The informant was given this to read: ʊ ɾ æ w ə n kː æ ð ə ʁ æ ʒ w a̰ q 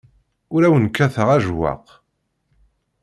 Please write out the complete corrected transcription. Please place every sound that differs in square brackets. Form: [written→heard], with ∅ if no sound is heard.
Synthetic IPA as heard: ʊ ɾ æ w ə n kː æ [ð→θ] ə ʁ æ ʒ w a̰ q